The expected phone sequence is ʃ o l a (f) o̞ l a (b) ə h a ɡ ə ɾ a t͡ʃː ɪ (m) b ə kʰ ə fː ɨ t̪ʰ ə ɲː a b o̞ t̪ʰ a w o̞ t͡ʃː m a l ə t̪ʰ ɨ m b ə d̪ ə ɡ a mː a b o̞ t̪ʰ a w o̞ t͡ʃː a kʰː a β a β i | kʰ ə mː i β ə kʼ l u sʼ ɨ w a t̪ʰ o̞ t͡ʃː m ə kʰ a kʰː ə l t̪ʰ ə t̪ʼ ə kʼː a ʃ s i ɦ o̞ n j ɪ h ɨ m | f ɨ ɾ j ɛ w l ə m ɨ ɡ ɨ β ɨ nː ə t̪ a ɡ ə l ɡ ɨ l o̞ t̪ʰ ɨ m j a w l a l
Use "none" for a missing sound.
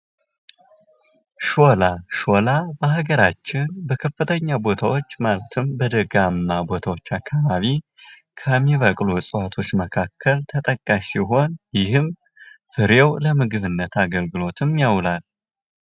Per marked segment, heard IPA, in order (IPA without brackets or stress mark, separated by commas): ʃ, b, n